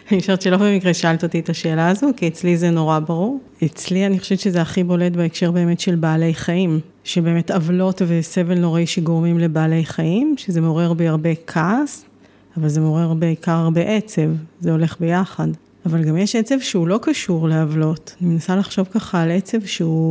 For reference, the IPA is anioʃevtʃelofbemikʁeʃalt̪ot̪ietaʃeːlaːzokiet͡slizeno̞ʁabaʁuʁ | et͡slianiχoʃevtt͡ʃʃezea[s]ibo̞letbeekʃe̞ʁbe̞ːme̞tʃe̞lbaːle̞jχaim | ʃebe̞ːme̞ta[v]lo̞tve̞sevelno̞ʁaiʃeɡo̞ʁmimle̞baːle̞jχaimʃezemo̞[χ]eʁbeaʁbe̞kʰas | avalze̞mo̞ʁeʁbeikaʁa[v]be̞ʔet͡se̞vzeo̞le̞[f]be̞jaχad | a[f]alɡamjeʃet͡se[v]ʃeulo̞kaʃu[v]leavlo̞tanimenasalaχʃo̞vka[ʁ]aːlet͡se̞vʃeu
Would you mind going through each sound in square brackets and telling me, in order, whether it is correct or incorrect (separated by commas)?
incorrect, correct, incorrect, incorrect, incorrect, incorrect, correct, incorrect, incorrect